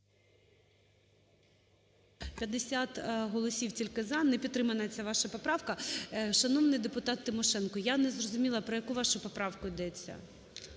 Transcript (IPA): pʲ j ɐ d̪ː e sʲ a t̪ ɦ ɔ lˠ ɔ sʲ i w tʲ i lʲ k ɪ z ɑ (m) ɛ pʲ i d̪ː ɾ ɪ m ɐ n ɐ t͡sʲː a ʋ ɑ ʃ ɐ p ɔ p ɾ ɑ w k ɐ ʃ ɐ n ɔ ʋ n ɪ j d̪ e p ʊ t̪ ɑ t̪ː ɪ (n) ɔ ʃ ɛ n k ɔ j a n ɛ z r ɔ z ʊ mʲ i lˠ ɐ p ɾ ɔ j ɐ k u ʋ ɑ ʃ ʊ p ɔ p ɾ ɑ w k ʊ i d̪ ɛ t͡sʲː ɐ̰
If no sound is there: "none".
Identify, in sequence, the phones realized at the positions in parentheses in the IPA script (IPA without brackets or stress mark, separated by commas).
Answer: n, m